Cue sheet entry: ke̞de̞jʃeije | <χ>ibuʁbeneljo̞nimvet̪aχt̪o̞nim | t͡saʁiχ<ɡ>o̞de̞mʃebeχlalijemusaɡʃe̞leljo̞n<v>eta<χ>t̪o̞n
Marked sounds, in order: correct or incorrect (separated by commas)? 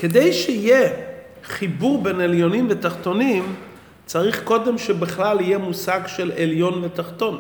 correct, incorrect, correct, correct